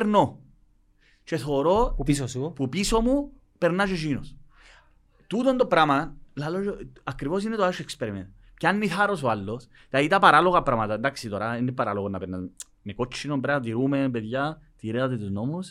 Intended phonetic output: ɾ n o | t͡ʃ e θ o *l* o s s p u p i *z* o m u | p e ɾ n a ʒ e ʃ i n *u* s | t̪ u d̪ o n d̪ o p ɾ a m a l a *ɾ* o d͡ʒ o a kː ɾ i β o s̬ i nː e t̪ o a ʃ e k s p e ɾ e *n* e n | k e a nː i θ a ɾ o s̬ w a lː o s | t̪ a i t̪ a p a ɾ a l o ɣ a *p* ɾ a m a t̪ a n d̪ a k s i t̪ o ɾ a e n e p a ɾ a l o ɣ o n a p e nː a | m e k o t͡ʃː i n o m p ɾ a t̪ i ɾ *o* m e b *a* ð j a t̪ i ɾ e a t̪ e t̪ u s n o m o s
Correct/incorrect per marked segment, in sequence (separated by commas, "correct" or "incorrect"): incorrect, incorrect, incorrect, incorrect, incorrect, correct, incorrect, incorrect